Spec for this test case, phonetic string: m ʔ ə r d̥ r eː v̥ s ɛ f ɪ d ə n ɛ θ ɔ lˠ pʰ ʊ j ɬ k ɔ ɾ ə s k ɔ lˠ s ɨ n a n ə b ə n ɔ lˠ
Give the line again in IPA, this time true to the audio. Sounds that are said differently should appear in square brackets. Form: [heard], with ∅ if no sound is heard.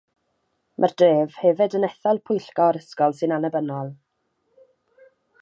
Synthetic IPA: m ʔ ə r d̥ r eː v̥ [h] ɛ [v] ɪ d ə n ɛ θ ɔ lˠ pʰ ʊ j ɬ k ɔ ɾ ə s k ɔ lˠ s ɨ n a n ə b ə n ɔ lˠ